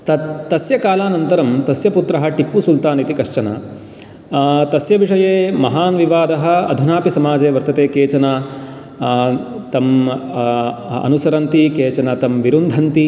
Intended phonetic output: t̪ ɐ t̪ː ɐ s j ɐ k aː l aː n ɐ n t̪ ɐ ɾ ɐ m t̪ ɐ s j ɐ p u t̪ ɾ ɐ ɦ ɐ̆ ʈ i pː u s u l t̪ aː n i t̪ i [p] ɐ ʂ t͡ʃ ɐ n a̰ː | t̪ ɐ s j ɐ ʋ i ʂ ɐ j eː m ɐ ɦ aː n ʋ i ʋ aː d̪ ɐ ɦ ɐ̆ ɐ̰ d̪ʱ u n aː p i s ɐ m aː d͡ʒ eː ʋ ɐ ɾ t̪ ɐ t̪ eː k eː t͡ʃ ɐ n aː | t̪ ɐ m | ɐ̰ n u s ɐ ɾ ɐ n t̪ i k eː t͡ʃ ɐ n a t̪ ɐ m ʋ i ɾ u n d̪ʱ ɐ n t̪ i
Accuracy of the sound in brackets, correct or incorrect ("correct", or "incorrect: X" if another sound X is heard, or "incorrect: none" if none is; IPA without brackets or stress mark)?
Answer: incorrect: k